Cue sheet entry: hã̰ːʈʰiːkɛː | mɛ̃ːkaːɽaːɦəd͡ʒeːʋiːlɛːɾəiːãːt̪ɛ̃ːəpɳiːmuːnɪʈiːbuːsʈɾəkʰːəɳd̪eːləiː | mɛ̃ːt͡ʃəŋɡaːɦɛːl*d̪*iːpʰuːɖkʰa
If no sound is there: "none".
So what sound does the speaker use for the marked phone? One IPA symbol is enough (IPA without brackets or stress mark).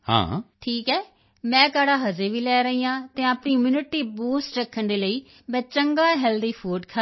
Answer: d̪